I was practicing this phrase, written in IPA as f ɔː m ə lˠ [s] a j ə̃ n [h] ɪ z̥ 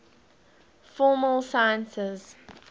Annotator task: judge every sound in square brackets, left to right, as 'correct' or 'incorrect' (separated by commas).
correct, incorrect